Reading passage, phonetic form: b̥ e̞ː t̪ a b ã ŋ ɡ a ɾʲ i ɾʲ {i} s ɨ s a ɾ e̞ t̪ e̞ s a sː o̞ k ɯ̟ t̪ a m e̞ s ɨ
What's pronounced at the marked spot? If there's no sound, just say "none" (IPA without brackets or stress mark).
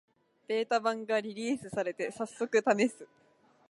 iː